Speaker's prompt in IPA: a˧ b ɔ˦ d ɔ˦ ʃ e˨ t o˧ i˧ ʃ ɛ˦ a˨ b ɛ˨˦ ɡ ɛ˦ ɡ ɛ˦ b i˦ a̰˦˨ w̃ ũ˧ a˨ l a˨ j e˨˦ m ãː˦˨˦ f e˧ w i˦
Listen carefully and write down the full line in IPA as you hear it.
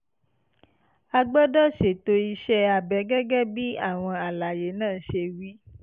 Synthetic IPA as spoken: a˧ ɡ͡b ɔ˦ d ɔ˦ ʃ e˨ t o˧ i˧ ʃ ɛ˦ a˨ b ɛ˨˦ ɡ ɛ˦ ɡ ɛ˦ b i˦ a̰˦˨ w̃ ɔ̃˧ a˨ l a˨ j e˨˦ n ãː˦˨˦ ʃ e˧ w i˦